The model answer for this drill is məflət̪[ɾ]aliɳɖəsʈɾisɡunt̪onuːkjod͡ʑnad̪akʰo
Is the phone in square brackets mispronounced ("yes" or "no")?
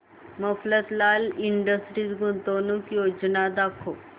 yes